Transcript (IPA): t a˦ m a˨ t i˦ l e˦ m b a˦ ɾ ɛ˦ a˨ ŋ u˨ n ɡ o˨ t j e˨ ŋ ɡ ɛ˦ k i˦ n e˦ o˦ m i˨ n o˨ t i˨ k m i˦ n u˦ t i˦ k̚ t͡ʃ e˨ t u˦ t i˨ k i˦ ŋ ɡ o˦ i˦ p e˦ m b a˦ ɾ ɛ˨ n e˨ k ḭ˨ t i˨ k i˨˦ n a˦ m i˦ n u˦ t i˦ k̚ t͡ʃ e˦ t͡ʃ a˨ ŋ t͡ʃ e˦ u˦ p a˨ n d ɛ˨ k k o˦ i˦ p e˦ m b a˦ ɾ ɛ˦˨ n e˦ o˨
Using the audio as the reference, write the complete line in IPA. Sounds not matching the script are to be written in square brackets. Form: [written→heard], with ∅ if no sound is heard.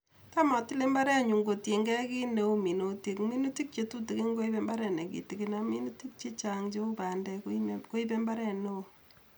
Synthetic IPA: t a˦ m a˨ t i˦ l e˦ m b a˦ ɾ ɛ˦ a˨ [ŋ→ɲ] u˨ [n→ŋ] ɡ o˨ t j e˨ ŋ ɡ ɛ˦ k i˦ n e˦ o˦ m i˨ n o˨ t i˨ k m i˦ n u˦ t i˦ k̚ t͡ʃ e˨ t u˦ t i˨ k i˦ ŋ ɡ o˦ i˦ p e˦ m b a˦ ɾ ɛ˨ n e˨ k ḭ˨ t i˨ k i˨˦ n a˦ m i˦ n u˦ t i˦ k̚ t͡ʃ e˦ t͡ʃ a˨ ŋ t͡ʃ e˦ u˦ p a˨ n d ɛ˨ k k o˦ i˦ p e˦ m b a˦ ɾ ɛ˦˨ n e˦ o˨